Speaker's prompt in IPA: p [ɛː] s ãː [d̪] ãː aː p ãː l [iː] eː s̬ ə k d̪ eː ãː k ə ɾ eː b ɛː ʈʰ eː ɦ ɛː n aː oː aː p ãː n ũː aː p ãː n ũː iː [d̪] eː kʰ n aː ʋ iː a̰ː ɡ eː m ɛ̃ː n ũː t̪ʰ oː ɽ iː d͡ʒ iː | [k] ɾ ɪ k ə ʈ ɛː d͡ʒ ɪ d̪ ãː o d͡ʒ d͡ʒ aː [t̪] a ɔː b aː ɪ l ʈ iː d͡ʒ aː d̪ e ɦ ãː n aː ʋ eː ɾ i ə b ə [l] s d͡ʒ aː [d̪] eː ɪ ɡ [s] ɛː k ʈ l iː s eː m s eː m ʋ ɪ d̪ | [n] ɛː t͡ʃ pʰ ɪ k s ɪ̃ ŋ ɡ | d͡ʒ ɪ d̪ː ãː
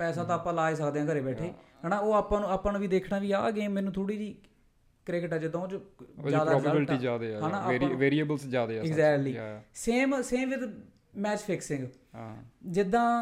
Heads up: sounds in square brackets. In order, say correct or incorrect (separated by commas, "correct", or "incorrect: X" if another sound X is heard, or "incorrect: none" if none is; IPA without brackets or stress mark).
correct, incorrect: t̪, incorrect: aː, correct, correct, incorrect: d̪, correct, correct, incorrect: z, incorrect: m